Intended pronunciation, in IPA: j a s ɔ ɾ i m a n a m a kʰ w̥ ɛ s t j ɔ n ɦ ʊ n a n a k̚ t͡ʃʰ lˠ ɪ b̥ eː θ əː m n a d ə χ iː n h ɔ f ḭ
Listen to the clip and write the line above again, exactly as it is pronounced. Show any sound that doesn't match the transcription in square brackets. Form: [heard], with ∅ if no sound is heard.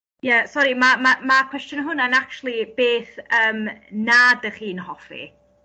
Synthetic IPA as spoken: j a s ɔ ɾ i m a [m] a m a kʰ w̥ ɛ s t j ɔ n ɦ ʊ n a n a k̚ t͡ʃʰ lˠ [i] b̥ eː θ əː m n a d ə χ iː n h ɔ f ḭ